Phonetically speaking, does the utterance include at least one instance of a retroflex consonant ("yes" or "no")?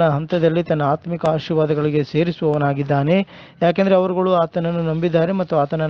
yes